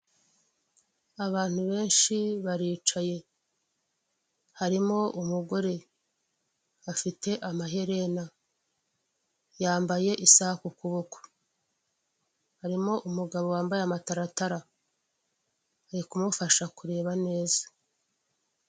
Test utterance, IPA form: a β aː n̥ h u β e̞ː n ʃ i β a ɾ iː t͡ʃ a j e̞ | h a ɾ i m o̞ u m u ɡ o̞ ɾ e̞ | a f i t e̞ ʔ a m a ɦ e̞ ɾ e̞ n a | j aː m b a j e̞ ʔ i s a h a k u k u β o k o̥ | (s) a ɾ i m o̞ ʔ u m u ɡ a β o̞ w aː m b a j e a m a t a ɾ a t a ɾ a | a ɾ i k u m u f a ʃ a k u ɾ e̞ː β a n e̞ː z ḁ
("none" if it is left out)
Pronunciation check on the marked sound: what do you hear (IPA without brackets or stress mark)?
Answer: h